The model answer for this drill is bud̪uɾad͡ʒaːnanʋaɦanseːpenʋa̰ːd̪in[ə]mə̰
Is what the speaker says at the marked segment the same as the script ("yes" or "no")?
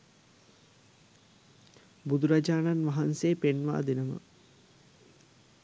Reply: yes